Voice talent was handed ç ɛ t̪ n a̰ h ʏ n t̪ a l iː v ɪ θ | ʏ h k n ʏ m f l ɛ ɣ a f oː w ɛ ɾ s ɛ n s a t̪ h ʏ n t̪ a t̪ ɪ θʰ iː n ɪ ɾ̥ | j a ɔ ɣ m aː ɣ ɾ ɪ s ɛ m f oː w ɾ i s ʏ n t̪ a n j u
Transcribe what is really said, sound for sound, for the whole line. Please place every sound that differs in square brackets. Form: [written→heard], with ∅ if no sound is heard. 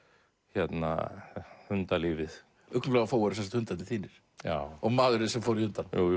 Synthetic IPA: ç ɛ t̪ n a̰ h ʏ n t̪ a l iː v ɪ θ | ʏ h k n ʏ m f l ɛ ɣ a f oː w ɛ ɾ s ɛ n s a t̪ h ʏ n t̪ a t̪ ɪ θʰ iː n ɪ ɾ̥ | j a ɔ ɣ m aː ɣ ɾ ɪ s ɛ m f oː w ɾ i [s→h] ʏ n t̪ a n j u